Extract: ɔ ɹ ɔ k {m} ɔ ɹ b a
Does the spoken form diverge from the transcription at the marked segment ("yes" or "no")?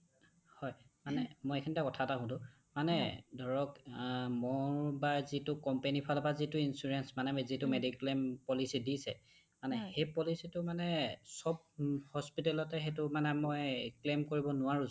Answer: no